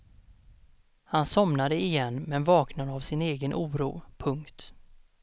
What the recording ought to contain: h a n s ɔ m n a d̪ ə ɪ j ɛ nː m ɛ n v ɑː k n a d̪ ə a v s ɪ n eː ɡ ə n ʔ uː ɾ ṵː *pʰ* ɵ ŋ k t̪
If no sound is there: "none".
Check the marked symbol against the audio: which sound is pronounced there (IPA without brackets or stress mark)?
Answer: pʰ